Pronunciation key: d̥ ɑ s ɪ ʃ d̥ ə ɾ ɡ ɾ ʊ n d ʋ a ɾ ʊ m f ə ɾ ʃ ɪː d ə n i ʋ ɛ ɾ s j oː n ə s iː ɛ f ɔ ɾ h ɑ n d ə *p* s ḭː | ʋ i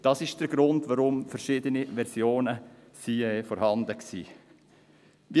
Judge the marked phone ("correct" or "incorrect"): incorrect